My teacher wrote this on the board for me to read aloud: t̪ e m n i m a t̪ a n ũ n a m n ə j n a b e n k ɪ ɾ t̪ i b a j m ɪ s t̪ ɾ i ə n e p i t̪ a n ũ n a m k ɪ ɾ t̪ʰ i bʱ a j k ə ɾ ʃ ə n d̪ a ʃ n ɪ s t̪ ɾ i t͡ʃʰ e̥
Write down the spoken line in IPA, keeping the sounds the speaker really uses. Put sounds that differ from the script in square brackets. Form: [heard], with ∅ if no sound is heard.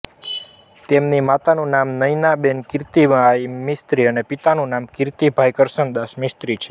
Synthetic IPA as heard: t̪ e m n i m a t̪ a n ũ n a m n ə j n a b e n k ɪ ɾ t̪ i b a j m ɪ s t̪ ɾ i ə n e p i t̪ a n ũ n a m k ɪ ɾ [t̪] i bʱ a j k ə ɾ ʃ ə n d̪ a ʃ [m] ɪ s t̪ ɾ i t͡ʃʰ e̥